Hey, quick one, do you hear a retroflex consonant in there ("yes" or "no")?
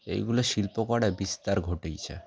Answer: yes